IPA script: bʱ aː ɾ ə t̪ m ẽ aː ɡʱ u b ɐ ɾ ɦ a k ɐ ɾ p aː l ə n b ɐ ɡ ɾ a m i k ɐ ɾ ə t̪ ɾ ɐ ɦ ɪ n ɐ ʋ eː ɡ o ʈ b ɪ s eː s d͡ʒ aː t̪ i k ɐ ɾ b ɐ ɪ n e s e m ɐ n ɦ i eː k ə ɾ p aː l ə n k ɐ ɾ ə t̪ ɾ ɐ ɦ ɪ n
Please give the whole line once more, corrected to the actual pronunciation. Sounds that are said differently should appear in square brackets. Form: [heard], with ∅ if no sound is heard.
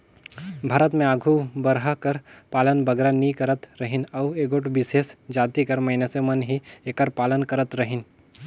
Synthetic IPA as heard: bʱ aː ɾ ə t̪ m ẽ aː ɡʱ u b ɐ ɾ ɦ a k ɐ ɾ p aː l ə n b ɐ ɡ ɾ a [n] i k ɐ ɾ ə t̪ ɾ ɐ ɦ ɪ n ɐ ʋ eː ɡ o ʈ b ɪ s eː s d͡ʒ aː t̪ i k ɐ ɾ [m] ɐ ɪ n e s e m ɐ n ɦ i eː k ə ɾ p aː l ə n k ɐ ɾ ə t̪ ɾ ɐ ɦ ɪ n